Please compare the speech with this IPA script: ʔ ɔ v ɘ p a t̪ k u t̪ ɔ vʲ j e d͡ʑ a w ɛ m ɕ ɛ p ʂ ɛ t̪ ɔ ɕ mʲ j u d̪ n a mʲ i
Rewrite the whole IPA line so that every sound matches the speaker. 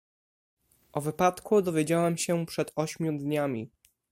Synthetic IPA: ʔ ɔ v ɘ p a t̪ k u d̪ ɔ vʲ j e d͡ʑ a w ɛ m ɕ ɛ p ʂ ɛ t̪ ɔ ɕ mʲ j u d̪ ɲ a mʲ i